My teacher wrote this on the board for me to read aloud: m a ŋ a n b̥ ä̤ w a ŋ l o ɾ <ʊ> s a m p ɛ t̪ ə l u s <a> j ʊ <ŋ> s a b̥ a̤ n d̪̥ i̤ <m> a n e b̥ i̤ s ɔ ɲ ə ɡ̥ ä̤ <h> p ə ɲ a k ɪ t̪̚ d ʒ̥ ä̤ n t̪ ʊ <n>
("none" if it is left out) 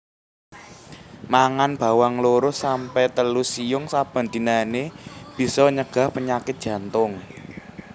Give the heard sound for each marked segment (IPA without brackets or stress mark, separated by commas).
ʊ, i, ŋ, n, h, ŋ